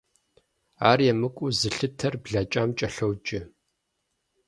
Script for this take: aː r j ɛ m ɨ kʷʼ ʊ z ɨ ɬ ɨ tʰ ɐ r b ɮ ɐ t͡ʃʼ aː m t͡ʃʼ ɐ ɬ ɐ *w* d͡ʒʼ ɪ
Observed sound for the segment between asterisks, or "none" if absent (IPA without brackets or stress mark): w